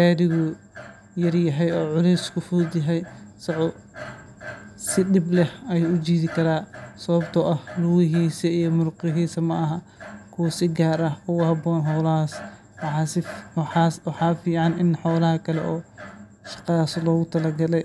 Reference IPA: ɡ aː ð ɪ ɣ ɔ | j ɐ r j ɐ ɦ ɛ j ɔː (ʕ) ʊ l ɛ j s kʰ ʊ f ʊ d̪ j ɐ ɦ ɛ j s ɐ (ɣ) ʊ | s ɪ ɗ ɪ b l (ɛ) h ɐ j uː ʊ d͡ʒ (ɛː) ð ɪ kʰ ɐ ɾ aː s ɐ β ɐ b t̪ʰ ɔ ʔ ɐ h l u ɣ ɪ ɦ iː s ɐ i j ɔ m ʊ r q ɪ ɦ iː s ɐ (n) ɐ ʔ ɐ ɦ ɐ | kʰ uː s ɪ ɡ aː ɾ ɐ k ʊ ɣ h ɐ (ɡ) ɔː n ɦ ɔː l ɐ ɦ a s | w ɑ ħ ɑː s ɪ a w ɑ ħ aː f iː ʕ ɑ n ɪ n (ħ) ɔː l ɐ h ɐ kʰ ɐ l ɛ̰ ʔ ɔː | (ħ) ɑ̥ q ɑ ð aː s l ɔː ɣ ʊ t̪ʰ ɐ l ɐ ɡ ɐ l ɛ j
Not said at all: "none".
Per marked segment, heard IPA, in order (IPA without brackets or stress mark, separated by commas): ʕ, ʕ, ɛ, iː, m, b, ħ, ʃ